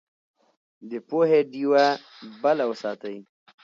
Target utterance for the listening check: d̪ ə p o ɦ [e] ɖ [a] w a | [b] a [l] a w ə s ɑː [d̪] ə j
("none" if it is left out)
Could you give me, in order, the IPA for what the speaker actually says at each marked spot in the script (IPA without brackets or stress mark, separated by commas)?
e, i, b, l, t̪